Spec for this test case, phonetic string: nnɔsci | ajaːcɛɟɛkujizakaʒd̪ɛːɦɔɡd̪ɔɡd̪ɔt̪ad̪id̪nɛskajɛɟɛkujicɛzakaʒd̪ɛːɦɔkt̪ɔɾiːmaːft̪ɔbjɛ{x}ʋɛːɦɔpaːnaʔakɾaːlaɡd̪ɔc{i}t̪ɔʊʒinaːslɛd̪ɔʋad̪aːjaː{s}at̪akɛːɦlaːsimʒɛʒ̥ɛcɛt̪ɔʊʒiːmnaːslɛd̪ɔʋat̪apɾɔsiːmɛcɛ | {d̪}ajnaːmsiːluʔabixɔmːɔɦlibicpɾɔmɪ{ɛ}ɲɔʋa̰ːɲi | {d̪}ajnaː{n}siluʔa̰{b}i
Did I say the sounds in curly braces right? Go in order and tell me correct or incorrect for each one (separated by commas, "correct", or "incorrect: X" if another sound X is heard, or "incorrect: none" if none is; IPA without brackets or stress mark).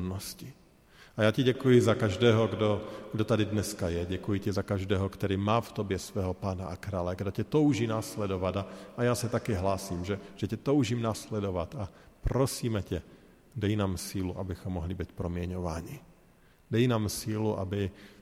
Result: incorrect: s, incorrect: ɛ, correct, correct, correct, correct, incorrect: m, correct